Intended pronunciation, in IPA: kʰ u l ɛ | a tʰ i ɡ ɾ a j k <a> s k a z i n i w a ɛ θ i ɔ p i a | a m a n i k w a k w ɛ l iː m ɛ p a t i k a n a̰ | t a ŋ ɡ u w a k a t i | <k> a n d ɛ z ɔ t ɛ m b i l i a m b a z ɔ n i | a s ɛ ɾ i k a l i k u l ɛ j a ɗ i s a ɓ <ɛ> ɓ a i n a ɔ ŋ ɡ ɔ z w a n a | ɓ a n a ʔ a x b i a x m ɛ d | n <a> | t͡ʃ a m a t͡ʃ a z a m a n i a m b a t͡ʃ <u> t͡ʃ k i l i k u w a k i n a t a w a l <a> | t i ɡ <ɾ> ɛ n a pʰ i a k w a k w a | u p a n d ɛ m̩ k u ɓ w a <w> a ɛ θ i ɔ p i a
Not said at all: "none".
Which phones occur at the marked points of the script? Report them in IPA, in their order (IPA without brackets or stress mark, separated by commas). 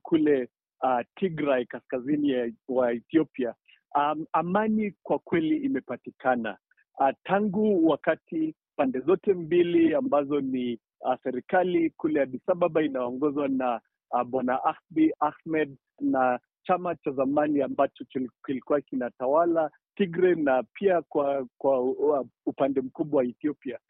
a, p, a, a, ɔ, a, ɾ, w